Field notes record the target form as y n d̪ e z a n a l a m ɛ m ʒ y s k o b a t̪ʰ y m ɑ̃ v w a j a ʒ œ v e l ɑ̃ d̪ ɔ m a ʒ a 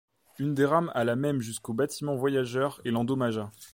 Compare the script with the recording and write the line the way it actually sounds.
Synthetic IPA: y n d̪ e ʁ a m a l a m ɛ m ʒ y s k o b a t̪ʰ i m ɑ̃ v w a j a ʒ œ ʁ e l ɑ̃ d̪ ɔ m a ʒ a